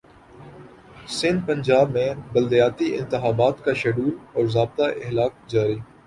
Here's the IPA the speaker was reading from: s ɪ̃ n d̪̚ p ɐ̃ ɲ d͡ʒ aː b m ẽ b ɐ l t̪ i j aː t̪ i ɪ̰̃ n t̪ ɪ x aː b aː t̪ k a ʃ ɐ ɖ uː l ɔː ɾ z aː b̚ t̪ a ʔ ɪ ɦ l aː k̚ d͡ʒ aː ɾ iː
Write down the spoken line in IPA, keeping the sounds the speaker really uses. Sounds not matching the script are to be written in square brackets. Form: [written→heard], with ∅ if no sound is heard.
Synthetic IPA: s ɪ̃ n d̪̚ p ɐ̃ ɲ d͡ʒ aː b m ẽ b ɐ l [t̪→d̪] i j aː t̪ i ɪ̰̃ n t̪ ɪ x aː b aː t̪ k a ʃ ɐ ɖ uː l ɔː ɾ z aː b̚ t̪ a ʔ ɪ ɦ l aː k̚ d͡ʒ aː ɾ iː